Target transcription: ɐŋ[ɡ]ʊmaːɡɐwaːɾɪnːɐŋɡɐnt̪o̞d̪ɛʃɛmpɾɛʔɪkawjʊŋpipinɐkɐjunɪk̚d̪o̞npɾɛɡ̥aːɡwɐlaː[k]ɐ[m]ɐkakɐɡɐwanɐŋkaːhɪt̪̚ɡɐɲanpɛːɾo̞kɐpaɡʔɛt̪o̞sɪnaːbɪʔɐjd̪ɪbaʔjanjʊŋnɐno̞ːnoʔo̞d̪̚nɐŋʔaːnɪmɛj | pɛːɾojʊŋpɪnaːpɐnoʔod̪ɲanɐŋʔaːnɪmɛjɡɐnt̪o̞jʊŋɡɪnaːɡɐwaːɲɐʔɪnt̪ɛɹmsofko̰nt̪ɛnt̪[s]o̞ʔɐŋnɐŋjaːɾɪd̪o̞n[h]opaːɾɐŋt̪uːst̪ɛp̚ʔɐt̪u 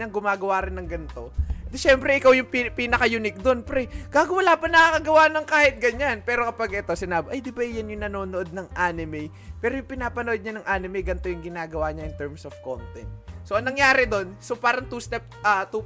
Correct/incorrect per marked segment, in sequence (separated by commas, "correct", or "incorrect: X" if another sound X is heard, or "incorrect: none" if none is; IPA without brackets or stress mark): correct, incorrect: p, incorrect: n, correct, incorrect: s